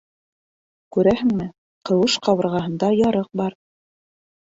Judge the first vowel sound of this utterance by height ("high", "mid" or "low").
high